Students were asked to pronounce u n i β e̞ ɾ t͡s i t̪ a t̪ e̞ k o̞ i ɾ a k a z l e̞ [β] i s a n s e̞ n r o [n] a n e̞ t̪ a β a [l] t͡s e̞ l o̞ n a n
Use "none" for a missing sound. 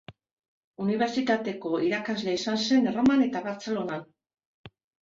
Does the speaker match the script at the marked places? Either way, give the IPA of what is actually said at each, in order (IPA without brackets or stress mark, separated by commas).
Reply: none, m, ɾ